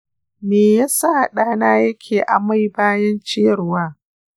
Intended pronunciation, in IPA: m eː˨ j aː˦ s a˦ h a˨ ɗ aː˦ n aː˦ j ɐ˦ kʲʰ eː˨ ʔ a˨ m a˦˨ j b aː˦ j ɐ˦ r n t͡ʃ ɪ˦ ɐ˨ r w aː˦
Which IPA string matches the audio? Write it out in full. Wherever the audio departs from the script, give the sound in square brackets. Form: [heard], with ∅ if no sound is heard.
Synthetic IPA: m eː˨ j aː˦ s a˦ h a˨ ɗ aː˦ n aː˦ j ɐ˦ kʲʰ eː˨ ʔ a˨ m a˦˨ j b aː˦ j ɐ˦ [∅] n t͡ʃ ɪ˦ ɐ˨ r w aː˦